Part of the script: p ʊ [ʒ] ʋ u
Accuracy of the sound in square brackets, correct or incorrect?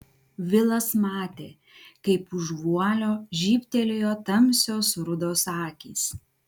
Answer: correct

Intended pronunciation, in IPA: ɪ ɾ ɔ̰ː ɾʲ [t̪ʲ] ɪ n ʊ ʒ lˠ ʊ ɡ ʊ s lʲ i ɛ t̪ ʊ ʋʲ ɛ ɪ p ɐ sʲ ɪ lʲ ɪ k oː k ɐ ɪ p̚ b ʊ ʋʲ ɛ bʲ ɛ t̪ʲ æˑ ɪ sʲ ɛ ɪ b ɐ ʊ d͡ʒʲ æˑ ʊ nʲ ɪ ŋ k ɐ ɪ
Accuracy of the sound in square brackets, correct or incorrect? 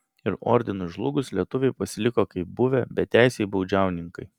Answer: incorrect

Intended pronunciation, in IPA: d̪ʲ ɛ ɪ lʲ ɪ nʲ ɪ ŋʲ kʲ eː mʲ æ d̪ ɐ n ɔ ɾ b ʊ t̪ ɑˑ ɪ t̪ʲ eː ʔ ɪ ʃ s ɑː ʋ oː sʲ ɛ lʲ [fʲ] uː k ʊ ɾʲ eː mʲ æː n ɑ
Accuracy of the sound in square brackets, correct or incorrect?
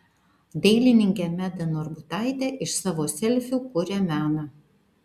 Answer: correct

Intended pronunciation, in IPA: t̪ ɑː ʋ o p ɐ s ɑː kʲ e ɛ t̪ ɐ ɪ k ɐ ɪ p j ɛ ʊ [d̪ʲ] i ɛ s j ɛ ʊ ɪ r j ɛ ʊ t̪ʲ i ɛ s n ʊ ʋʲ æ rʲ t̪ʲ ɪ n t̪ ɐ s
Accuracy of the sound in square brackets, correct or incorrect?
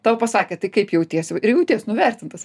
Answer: incorrect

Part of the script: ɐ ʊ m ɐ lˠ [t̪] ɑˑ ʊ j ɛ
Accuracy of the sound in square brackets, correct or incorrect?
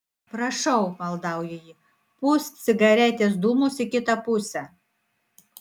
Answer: incorrect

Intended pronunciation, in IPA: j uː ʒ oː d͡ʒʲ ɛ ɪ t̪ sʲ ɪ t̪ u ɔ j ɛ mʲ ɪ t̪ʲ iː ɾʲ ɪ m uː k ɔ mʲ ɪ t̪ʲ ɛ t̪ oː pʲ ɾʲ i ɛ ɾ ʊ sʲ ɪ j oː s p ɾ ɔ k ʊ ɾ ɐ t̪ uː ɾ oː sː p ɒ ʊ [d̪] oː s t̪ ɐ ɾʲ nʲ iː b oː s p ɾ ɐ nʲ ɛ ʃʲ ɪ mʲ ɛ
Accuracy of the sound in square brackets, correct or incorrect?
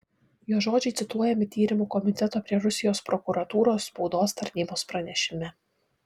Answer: correct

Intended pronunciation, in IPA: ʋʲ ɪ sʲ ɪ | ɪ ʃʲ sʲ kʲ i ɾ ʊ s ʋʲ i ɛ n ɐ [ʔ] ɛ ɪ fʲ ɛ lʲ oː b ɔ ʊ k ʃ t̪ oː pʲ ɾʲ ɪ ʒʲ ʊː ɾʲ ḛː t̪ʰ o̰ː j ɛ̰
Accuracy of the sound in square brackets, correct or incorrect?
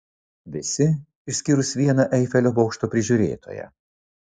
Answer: correct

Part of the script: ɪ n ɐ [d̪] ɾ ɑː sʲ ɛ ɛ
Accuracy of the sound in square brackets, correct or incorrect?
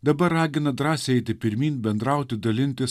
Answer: correct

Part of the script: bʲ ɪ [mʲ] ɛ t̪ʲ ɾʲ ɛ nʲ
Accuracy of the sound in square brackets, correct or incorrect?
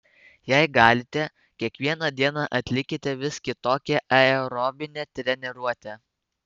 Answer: incorrect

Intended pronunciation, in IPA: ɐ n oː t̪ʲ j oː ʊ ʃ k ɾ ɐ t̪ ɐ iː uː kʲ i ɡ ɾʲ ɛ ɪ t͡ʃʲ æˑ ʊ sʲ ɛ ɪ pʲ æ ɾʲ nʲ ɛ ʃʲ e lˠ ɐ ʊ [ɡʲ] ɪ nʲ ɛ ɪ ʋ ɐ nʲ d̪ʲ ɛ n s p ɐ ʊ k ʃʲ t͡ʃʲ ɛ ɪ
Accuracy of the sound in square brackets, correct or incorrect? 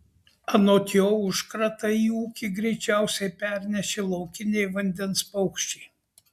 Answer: incorrect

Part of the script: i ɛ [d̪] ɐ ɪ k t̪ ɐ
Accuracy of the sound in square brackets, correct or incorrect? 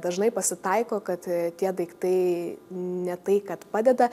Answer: correct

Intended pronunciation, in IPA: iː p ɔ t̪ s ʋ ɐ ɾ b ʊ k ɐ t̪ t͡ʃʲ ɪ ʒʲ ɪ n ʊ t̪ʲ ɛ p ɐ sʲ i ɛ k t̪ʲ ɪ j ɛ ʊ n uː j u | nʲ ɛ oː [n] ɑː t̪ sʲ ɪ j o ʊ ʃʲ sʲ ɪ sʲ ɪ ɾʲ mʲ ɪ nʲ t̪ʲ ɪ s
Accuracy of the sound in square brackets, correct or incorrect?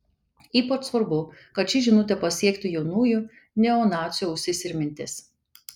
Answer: correct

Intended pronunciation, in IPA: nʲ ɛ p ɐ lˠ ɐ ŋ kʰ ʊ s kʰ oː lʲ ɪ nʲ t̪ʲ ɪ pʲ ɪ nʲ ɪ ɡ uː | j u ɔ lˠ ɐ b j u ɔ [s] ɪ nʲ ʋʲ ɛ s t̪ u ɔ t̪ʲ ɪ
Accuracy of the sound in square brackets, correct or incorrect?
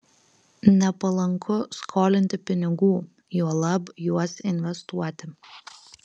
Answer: correct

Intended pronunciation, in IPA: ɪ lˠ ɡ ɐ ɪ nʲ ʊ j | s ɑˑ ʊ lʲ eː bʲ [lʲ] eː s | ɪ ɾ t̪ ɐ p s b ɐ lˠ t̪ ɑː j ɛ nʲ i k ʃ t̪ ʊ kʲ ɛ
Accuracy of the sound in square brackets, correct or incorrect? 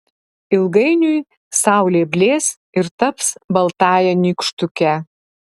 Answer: correct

